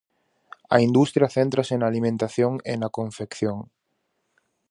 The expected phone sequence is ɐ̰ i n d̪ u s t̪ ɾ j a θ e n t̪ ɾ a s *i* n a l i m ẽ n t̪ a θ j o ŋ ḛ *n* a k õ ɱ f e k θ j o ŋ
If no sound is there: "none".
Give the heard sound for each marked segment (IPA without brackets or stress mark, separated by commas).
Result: e, n